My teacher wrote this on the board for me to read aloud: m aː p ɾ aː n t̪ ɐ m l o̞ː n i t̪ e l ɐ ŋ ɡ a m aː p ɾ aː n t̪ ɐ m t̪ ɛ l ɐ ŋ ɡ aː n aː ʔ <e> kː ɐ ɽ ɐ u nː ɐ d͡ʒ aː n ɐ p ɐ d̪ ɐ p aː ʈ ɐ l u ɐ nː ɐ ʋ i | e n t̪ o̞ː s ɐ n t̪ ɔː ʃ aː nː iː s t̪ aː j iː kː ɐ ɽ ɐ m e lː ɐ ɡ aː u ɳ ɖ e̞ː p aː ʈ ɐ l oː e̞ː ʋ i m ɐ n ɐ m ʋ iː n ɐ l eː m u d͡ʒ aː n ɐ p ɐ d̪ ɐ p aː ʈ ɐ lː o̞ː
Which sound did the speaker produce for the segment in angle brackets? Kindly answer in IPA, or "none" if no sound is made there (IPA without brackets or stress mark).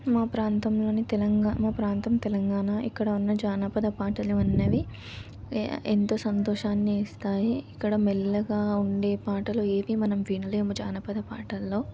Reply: i